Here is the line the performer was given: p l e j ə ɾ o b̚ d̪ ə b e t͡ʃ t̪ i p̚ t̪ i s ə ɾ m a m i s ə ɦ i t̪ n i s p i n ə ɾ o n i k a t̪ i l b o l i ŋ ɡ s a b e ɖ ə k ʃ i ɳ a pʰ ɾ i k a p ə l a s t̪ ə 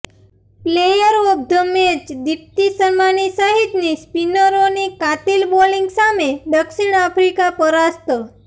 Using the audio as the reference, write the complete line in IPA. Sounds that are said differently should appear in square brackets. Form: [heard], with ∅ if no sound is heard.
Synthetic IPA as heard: p l e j ə ɾ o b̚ d̪ ə [m] e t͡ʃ [d̪] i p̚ t̪ i s ə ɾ m a [n] i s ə ɦ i t̪ n i s p i n ə ɾ o n i k a t̪ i l b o l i ŋ ɡ s a [m] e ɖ ə k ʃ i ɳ a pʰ ɾ i k a p ə [ɾ] a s t̪ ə

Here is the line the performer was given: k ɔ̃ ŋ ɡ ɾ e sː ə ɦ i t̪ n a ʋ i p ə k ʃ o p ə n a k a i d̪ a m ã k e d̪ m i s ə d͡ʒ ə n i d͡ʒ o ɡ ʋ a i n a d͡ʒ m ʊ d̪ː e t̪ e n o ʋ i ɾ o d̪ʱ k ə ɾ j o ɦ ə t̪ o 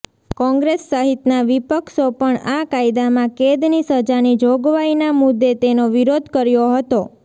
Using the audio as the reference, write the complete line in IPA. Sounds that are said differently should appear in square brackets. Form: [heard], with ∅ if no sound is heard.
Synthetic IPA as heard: k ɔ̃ ŋ ɡ ɾ e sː ə ɦ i t̪ n a ʋ i p ə k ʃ o p ə [ɳ] a k a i d̪ a m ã k e d̪ [n] i s ə d͡ʒ [a] n i d͡ʒ o ɡ ʋ a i n a [∅] m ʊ d̪ː e t̪ e n o ʋ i ɾ o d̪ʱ k ə ɾ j o ɦ ə t̪ o

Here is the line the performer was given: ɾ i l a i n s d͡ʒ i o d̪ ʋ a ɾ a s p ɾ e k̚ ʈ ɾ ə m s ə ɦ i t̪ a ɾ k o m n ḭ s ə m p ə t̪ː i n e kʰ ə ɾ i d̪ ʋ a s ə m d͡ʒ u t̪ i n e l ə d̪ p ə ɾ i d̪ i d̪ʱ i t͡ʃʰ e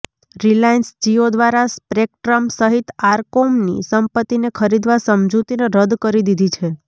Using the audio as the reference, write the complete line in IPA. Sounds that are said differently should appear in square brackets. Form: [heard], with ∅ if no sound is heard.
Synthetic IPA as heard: ɾ i l a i n s d͡ʒ i o d̪ ʋ a ɾ a s p ɾ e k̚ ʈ ɾ ə m s ə ɦ i t̪ a ɾ k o m n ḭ s ə m p ə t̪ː i n e kʰ ə ɾ i d̪ ʋ a s ə m d͡ʒ u t̪ i n e [ɾ] ə d̪ [k] ə ɾ i d̪ i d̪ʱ i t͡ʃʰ e

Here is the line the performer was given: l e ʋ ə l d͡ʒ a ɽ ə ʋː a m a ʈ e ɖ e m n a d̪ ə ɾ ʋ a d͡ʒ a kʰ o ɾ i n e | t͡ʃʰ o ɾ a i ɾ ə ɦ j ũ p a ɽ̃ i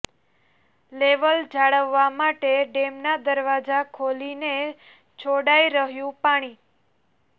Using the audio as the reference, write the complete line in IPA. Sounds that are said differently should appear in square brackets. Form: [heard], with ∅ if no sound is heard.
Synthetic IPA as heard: l e ʋ ə l d͡ʒ a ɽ ə ʋː a m a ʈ e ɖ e m n a d̪ ə ɾ ʋ a d͡ʒ a kʰ o [l] i n e | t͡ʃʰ o [ɽ] a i ɾ ə ɦ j ũ p a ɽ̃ i

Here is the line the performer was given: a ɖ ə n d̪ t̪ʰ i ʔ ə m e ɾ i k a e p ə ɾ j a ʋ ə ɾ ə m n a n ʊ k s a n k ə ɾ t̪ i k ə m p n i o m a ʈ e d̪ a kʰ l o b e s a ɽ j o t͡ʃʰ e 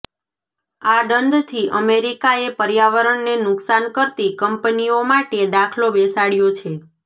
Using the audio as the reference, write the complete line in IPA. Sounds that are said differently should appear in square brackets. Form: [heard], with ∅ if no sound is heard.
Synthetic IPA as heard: a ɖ ə n d̪ t̪ʰ i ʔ ə m e ɾ i k a e p ə ɾ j a ʋ ə ɾ ə [ɳ] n [e] n ʊ k s a n k ə ɾ t̪ i k ə m p n i o m a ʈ e d̪ a kʰ l o b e s a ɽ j o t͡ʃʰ e

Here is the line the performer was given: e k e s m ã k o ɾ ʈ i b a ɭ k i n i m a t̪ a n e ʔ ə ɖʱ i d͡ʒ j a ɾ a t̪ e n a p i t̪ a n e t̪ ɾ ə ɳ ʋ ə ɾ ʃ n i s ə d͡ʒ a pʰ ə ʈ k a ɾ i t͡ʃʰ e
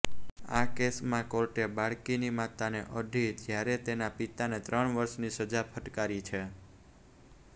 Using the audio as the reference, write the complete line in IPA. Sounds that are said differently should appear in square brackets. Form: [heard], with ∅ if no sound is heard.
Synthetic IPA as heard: [a] k e s m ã k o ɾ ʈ [e] b a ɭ k i n i m a t̪ a n e ʔ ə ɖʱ i d͡ʒ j a ɾ [e] t̪ e n a p i t̪ a n e t̪ ɾ ə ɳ ʋ ə ɾ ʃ n i s ə d͡ʒ a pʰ ə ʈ k a ɾ i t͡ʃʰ e

